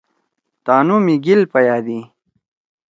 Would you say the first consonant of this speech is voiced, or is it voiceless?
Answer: voiceless